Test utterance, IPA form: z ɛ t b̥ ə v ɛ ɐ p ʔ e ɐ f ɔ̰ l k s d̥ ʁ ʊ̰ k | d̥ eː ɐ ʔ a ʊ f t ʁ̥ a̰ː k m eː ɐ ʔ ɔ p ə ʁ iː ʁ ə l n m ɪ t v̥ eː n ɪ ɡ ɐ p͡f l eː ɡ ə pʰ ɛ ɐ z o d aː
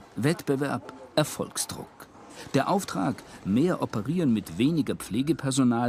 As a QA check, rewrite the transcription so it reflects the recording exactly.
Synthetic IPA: v ɛ t b̥ ə v ɛ ɐ p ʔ ɛ ɐ f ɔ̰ l k s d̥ ʁ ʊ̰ k | d̥ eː ɐ ʔ a ʊ f t ʁ̥ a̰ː k m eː ɐ ʔ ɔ p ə ʁ iː ʁ ə n m ɪ t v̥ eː n ɪ ɡ ɐ p͡f l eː ɡ ə pʰ ɛ ɐ z o n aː